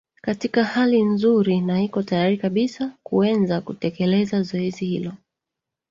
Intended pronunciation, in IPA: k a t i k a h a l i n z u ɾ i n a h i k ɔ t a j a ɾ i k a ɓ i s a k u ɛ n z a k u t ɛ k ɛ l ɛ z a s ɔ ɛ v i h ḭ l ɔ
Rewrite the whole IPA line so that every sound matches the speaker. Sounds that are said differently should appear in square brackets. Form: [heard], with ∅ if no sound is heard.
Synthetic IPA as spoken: k a t i k a h a l i n z u ɾ i n a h i k ɔ t a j a ɾ i k a ɓ i s a k u ɛ n z a k u t ɛ k ɛ l ɛ z a [z] ɔ ɛ [z] i h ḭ l ɔ